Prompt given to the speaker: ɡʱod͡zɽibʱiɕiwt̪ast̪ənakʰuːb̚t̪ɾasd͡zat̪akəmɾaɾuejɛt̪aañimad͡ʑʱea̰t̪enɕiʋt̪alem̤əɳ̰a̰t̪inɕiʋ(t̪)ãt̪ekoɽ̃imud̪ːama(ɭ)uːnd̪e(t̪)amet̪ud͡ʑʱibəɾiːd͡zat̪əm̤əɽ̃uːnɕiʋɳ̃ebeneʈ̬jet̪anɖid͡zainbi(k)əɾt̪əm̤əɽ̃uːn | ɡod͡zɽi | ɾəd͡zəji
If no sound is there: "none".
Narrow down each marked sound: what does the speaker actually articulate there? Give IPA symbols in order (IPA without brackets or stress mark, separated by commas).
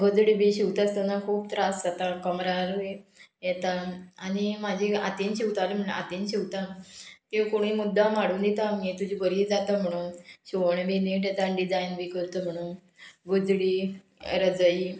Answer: t̪, ɽ, t̪, k